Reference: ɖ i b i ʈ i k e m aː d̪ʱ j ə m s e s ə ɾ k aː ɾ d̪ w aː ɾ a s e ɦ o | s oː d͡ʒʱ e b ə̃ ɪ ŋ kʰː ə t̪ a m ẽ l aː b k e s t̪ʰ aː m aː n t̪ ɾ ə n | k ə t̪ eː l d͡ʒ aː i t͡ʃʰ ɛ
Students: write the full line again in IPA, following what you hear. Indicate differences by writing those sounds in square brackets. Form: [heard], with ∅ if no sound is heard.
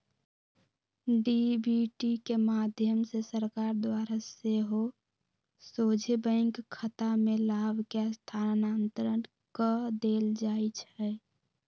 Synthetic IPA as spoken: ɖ i b i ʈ i k e m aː d̪ʱ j ə m s e s ə ɾ k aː ɾ d̪ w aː ɾ a s e ɦ o | s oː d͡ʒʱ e b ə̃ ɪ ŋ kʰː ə t̪ a m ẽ l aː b k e s t̪ʰ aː [n] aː n t̪ ɾ ə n | k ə [d̪] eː l d͡ʒ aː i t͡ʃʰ ɛ